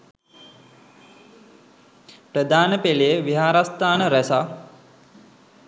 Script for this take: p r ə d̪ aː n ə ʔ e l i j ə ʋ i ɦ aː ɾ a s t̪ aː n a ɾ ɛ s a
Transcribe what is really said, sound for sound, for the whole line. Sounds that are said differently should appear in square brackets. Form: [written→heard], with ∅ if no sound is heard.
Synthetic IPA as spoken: p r ə d̪ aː n ə [ʔ→p] e l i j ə ʋ i ɦ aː ɾ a s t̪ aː n [a→ə] ɾ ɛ s a